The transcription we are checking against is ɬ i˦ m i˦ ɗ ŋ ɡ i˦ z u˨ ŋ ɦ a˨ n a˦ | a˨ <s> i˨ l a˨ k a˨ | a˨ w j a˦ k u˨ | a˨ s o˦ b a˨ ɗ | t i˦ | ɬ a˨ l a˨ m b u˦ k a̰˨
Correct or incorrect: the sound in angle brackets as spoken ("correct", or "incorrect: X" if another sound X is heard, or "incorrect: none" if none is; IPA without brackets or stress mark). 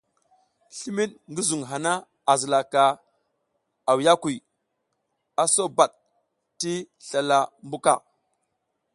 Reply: incorrect: z